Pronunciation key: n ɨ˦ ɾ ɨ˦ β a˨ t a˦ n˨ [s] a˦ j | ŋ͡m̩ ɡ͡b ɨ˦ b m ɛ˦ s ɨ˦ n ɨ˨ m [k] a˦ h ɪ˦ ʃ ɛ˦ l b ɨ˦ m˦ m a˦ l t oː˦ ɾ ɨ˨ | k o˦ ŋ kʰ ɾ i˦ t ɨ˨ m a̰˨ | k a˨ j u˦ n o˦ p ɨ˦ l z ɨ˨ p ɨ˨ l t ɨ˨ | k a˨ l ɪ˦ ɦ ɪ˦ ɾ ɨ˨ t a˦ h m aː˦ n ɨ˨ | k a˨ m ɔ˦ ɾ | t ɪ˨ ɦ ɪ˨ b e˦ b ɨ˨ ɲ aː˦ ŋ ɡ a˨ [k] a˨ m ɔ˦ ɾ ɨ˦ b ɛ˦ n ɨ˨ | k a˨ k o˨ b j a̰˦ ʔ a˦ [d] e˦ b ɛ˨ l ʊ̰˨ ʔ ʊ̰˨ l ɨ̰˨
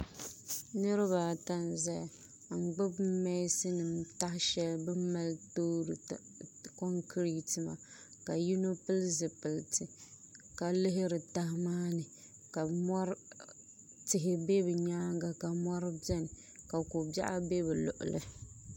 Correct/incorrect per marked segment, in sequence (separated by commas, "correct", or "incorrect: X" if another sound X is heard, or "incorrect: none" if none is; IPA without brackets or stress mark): incorrect: z, incorrect: t, correct, incorrect: b